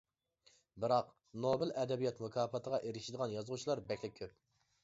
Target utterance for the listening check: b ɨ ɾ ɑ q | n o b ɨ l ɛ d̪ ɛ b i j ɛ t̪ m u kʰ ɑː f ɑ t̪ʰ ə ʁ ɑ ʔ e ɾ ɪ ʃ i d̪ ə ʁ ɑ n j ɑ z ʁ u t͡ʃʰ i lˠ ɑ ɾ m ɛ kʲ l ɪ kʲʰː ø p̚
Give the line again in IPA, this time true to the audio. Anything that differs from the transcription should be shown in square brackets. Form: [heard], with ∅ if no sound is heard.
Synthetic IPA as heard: b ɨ ɾ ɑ q | n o b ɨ l ɛ d̪ ɛ b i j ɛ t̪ m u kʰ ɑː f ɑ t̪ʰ ə ʁ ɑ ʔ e ɾ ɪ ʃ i d̪ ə ʁ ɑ n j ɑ z ʁ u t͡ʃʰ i lˠ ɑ ɾ [b] ɛ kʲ l ɪ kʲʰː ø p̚